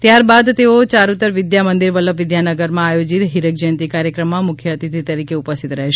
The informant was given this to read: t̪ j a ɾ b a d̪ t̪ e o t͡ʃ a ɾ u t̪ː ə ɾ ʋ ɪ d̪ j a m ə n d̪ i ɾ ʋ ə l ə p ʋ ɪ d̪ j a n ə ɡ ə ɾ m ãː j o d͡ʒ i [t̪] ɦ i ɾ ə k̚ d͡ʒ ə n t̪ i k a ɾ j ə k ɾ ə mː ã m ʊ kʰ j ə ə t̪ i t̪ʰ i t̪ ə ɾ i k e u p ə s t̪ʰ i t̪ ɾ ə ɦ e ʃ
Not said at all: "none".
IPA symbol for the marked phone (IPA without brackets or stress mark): t̪